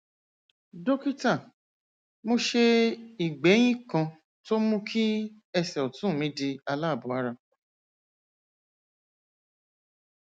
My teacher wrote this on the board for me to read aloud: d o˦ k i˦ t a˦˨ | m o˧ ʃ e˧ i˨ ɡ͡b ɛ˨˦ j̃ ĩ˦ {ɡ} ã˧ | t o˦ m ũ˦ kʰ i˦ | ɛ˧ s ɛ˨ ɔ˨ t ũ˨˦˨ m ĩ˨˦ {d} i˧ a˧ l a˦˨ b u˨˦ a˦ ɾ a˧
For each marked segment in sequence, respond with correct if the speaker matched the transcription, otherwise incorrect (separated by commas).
incorrect, correct